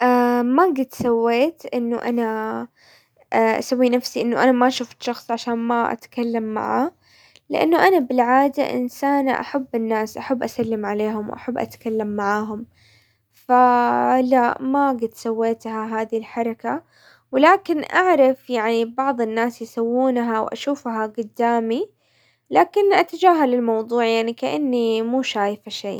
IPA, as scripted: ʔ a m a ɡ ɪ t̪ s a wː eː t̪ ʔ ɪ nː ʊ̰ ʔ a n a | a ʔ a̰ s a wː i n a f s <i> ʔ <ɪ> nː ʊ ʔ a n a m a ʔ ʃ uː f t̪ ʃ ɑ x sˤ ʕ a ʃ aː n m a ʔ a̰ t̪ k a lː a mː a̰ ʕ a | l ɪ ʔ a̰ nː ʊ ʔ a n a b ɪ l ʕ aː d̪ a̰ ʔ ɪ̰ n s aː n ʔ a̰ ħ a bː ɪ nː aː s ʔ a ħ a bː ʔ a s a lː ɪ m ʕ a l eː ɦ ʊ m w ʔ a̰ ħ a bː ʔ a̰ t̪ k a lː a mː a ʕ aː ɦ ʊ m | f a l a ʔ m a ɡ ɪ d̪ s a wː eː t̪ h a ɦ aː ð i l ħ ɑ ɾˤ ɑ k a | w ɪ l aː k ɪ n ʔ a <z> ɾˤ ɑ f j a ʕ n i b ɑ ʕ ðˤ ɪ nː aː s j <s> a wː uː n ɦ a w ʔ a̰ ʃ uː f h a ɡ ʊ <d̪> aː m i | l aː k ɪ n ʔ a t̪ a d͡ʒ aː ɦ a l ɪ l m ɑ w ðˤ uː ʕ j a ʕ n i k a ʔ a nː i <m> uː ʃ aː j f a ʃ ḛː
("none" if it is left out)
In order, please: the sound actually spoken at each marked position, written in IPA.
i, ɪ, ʕ, s, d̪ː, m

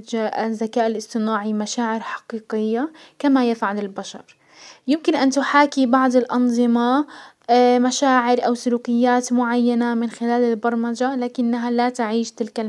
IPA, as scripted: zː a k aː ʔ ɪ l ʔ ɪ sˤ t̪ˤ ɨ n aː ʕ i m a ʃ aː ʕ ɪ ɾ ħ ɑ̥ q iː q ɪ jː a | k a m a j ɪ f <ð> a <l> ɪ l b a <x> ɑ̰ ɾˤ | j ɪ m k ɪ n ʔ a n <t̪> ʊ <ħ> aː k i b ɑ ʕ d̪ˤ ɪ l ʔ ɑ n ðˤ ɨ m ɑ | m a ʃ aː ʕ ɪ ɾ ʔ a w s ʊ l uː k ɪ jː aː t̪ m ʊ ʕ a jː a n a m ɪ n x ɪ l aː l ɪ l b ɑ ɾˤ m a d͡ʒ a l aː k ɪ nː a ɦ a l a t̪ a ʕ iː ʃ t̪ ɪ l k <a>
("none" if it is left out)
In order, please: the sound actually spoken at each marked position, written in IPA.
ʕ, l, ʃ, t̪, ħ, a

